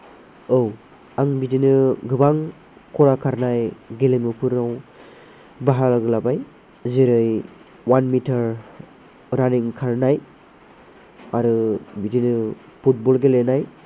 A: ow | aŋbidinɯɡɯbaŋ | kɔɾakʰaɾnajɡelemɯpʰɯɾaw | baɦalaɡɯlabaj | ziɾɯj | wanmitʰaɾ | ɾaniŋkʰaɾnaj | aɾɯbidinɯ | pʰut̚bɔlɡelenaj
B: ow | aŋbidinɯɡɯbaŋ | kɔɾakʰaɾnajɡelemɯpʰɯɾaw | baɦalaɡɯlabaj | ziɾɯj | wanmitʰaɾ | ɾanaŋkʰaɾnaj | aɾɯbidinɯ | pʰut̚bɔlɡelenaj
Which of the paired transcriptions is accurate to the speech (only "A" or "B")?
A